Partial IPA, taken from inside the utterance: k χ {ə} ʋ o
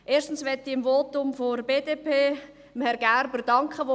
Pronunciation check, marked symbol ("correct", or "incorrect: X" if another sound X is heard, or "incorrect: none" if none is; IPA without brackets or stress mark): correct